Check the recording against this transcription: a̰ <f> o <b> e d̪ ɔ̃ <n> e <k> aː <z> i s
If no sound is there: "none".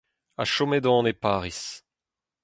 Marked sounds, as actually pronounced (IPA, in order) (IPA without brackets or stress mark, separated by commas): ʃ, m, n, p, ʁ